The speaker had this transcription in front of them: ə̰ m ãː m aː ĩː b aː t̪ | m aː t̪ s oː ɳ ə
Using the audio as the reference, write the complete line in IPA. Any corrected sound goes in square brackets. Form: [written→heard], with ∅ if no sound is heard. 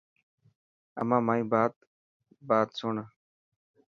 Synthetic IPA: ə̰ m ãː m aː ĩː b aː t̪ | [m→b] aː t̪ s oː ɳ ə